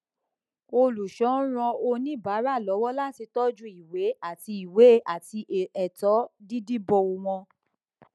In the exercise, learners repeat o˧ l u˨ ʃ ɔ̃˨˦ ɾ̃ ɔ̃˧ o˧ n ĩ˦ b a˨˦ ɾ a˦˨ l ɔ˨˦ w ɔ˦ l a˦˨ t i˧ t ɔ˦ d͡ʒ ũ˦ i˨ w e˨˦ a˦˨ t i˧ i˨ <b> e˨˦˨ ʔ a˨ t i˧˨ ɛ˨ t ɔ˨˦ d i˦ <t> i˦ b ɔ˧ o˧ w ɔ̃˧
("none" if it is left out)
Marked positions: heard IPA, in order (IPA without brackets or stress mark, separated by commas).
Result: w, d